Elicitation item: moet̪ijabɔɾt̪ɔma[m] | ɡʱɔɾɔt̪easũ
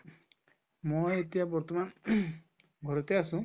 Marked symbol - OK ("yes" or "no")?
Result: no